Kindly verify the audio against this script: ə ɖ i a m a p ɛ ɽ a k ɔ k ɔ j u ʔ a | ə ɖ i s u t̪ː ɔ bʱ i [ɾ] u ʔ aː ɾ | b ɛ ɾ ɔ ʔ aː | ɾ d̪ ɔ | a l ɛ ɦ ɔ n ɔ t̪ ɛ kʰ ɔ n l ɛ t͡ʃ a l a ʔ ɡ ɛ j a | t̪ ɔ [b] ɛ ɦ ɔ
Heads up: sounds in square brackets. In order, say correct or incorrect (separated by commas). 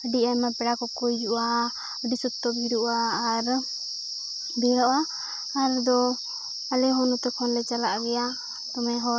correct, incorrect